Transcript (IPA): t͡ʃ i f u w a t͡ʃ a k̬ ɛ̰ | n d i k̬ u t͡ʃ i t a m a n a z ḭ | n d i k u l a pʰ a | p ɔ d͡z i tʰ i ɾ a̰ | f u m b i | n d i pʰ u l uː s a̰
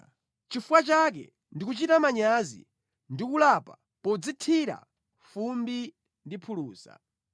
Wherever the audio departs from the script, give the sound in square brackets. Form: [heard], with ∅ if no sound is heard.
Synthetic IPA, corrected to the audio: t͡ʃ i f u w a t͡ʃ a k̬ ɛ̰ | n d i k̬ u t͡ʃ i t a m a [ɲ] a z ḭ | n d i k u l a [p] a | p ɔ d͡z i tʰ i ɾ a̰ | f u m b i | n d i pʰ u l uː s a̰